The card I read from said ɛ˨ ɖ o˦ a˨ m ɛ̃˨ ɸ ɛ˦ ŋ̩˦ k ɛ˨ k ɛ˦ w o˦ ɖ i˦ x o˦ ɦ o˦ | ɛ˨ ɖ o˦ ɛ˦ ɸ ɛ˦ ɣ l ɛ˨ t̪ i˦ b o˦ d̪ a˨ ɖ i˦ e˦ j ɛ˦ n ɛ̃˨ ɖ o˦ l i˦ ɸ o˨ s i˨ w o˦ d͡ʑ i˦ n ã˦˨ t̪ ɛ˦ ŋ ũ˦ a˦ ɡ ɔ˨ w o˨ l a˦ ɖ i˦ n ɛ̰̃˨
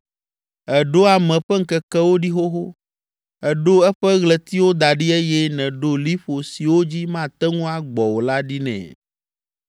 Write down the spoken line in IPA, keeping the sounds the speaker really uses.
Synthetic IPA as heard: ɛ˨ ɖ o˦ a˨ m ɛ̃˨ ɸ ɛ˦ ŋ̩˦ k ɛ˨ k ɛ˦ w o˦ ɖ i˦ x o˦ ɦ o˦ | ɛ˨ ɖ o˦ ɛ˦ ɸ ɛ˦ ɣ l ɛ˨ t̪ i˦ w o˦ d̪ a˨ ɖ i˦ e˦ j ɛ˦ n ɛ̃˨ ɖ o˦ l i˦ ɸ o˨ s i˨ w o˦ d͡ʑ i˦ m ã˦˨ t̪ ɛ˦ ŋ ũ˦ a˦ ɡ͡b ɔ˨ w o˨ l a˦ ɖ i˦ n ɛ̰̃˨